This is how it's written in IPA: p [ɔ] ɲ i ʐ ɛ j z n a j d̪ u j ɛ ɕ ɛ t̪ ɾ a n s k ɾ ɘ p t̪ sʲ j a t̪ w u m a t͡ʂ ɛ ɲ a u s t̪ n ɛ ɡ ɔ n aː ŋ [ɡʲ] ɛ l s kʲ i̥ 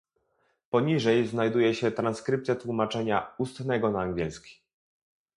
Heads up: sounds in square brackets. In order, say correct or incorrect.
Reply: correct, correct

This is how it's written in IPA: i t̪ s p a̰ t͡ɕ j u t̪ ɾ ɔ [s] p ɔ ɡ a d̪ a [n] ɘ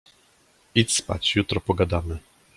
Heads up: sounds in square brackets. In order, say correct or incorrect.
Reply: incorrect, incorrect

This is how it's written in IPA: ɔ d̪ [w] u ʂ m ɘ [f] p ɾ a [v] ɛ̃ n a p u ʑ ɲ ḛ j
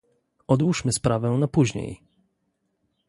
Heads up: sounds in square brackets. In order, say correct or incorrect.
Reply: correct, incorrect, correct

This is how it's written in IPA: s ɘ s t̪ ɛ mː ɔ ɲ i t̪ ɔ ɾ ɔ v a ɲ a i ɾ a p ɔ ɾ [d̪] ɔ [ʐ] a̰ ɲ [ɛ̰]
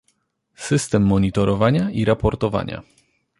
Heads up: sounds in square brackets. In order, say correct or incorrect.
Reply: incorrect, incorrect, incorrect

